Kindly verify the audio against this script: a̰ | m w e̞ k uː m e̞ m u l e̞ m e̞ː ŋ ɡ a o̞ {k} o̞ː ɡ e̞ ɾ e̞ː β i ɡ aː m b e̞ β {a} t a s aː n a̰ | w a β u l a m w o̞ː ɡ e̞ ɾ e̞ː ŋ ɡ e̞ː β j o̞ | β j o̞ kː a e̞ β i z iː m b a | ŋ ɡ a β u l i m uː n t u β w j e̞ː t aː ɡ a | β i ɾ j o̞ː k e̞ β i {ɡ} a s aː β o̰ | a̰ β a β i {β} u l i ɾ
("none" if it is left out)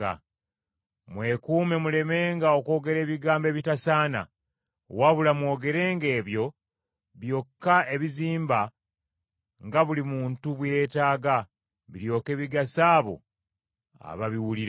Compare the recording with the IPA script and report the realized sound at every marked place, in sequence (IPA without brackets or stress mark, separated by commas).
k, i, ɡ, w